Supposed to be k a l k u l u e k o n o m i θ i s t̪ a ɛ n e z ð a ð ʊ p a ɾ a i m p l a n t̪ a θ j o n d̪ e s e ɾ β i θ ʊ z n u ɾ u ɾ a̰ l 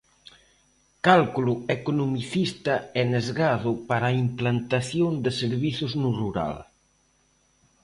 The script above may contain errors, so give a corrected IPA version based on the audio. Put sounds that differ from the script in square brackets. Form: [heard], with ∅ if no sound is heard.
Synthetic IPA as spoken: k a l k u l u e k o n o m i θ i s t̪ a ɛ n e z [ɣ] a ð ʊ p a ɾ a i m p l a n t̪ a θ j o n d̪ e s e ɾ β i θ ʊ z n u [r] u ɾ a̰ l